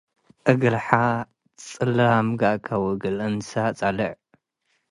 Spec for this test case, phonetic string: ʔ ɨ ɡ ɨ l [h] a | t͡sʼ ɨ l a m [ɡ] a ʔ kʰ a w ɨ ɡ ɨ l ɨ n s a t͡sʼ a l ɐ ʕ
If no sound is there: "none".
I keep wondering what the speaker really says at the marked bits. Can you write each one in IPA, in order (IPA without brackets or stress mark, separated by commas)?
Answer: ħ, ɡ